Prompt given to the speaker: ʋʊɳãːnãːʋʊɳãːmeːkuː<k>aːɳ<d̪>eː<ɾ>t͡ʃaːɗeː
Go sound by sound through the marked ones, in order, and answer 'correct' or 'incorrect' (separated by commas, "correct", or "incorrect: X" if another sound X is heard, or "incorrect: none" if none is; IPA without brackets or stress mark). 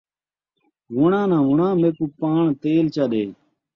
incorrect: p, incorrect: t̪, incorrect: l